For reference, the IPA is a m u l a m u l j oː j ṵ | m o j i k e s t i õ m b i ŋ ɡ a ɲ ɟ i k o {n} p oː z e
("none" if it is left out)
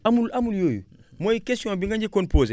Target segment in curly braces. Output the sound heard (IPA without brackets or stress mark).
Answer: n